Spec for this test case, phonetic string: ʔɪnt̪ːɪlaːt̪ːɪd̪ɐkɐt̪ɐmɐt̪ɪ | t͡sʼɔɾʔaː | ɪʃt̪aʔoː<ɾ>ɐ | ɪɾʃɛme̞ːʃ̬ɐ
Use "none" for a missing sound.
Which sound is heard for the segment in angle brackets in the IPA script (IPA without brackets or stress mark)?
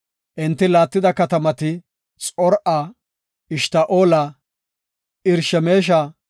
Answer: l